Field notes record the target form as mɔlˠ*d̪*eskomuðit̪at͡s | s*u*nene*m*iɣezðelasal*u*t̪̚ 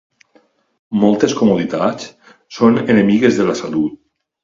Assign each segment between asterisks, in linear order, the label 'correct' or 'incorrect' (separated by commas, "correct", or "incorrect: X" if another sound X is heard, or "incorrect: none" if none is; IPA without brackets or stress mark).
incorrect: t̪, incorrect: o, correct, correct